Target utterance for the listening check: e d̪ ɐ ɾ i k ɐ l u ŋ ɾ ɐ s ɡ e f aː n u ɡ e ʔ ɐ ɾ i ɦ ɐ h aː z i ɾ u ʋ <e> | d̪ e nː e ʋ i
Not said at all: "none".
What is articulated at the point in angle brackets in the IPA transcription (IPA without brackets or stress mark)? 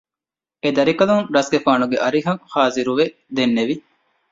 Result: e